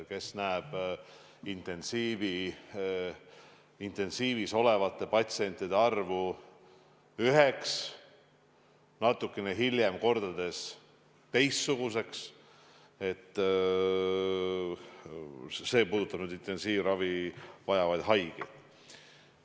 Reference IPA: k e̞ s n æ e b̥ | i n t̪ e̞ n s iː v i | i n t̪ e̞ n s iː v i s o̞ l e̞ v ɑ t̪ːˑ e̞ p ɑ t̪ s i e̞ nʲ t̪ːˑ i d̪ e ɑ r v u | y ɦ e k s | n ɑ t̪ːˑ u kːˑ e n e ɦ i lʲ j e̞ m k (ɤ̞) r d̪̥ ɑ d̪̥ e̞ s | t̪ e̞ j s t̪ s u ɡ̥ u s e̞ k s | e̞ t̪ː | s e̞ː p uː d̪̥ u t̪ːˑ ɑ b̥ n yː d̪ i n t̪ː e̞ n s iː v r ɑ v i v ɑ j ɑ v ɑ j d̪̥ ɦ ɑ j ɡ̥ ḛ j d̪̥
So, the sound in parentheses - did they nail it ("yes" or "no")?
no